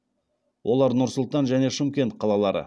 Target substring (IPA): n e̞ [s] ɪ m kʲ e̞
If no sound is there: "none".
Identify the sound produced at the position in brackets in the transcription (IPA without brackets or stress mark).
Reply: ʃ